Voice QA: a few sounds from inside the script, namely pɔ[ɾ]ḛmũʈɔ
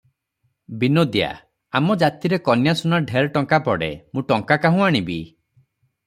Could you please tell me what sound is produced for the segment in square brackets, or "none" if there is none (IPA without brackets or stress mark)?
ɽ